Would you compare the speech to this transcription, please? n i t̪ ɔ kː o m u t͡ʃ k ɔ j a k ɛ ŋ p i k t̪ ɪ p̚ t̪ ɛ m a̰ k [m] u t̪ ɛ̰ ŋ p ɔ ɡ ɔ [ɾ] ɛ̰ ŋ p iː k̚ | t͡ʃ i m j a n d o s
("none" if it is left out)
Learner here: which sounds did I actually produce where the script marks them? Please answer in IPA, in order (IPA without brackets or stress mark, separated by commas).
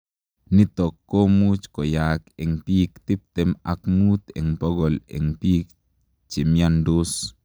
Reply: m, l